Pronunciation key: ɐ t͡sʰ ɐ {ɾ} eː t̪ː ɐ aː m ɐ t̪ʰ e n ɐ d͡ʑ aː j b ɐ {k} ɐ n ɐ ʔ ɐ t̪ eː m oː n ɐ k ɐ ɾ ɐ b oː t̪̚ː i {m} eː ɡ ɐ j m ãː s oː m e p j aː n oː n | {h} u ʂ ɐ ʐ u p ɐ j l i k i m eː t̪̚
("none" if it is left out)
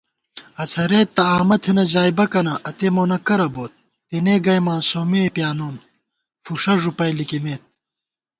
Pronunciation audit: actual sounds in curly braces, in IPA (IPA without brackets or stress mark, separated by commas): ɾ, k, n, f